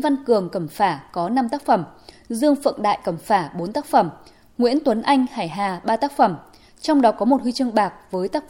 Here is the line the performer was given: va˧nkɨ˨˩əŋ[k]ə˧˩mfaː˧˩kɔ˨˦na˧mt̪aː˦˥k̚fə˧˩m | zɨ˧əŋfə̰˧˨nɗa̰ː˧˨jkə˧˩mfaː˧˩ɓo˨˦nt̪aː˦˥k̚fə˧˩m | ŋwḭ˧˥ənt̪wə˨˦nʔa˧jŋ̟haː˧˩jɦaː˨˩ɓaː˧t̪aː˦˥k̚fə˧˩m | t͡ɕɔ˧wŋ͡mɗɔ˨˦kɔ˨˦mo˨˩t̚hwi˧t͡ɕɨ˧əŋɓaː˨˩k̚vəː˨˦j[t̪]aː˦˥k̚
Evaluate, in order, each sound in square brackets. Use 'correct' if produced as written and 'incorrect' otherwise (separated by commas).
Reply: correct, correct